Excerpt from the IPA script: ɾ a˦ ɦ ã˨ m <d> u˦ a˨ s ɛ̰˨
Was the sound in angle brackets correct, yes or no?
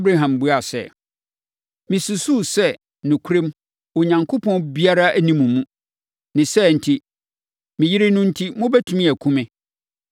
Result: no